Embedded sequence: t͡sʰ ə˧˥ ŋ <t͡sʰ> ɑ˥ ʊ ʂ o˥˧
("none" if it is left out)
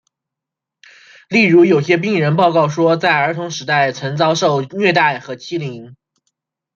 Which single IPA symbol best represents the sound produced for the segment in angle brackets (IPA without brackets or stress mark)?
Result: t͡s